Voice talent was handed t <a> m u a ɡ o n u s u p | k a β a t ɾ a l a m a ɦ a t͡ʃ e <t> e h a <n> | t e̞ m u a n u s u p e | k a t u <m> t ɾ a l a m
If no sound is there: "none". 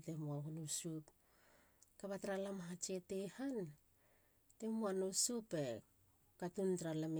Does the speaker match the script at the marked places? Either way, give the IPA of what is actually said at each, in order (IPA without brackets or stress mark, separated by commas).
e, t, n, n